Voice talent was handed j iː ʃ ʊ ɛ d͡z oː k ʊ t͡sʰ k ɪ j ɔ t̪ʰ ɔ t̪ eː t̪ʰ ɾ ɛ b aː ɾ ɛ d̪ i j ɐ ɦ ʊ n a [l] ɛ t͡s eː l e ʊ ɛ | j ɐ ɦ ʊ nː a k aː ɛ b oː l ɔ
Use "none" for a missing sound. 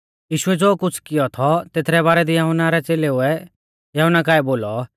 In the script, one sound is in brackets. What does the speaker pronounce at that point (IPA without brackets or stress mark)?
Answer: ɾ